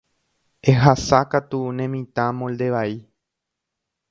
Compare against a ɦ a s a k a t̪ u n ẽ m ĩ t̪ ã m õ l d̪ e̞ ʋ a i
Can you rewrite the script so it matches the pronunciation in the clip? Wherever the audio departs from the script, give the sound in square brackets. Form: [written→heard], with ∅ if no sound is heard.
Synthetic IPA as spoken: [a→e] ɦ a s a k a t̪ u n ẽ m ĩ t̪ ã m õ l d̪ e̞ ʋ a i